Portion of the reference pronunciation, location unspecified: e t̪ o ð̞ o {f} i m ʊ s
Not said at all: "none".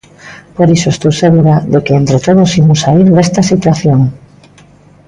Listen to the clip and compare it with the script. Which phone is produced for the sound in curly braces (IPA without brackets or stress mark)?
s